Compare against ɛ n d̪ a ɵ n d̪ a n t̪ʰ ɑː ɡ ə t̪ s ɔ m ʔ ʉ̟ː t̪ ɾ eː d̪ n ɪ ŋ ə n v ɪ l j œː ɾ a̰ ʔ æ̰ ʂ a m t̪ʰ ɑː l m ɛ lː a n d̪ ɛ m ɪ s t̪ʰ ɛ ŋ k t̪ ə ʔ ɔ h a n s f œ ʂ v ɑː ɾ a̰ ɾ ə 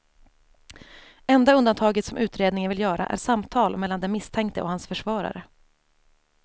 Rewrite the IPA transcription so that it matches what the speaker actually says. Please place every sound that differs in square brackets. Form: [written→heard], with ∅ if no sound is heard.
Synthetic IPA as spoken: ɛ n d̪ a ɵ n d̪ a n t̪ʰ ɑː ɡ ə t̪ s ɔ m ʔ ʉ̟ː t̪ ɾ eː d̪ n ɪ ŋ ə n v ɪ l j œː ɾ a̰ ʔ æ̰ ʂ a m t̪ʰ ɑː l m ɛ lː a n d̪ ɛ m ɪ s t̪ʰ ɛ ŋ k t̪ ə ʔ ɔ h a n s f œ ʂ v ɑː ɾ a̰ ɾ ə

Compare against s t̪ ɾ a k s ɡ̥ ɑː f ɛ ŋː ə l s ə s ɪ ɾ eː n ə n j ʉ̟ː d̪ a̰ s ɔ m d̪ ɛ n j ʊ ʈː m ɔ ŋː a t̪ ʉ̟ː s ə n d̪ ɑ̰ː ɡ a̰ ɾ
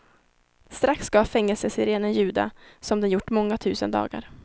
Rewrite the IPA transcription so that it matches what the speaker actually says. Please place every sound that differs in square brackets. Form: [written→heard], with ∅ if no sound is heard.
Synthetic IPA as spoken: s t̪ ɾ a k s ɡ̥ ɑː f ɛ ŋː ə l s ə s ɪ ɾ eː n ə n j ʉ̟ː d̪ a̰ s ɔ m d̪ ɛ n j ʊ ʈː m ɔ ŋː a [t̪→t̪ʰ] ʉ̟ː s ə n d̪ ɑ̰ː ɡ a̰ ɾ

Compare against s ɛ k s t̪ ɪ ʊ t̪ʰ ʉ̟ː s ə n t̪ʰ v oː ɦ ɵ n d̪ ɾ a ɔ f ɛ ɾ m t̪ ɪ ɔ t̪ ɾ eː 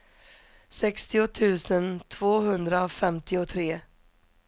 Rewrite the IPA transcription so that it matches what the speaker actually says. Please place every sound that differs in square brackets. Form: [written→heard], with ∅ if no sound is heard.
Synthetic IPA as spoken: s ɛ k s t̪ ɪ ʊ t̪ʰ ʉ̟ː s ə n t̪ʰ v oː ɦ ɵ n d̪ ɾ a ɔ f ɛ [ɾ→∅] m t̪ ɪ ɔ [t̪→t̪ʰ] ɾ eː

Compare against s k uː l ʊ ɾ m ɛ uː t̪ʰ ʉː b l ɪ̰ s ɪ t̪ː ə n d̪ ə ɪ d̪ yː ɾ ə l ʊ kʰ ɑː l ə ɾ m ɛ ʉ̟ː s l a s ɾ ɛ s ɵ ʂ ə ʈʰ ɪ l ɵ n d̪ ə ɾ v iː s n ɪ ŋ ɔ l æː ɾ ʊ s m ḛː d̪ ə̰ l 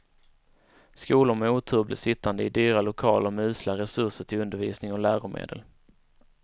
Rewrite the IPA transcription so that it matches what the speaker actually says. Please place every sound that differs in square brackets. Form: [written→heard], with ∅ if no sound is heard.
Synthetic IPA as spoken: s k uː l ʊ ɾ m ɛ uː t̪ʰ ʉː b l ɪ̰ s ɪ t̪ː [ə→a] n d̪ ə ɪ d̪ yː ɾ [ə→a] l ʊ kʰ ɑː l ə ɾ m ɛ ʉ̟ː s l a [s→∅] ɾ ɛ s ɵ ʂ ə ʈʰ ɪ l ɵ n d̪ ə ɾ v iː s n ɪ ŋ ɔ l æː ɾ ʊ [s→∅] m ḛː d̪ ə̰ l

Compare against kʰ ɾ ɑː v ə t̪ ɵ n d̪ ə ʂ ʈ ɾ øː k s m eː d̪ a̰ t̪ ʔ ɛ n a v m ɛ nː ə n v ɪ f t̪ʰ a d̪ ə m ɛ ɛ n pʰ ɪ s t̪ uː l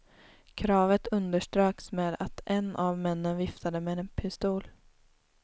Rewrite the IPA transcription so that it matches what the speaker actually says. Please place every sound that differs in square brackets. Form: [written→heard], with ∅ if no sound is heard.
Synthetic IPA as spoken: kʰ ɾ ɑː v ə t̪ ɵ n d̪ ə ʂ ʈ ɾ øː k s m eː d̪ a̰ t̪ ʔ ɛ n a v m ɛ nː ə n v ɪ f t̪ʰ a d̪ ə m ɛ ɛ n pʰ ɪ s t̪ uː l

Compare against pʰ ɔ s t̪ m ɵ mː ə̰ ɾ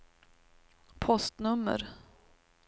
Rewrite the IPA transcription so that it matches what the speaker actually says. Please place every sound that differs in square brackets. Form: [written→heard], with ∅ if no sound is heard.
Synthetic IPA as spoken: pʰ ɔ s t̪ [m→n] ɵ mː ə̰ ɾ

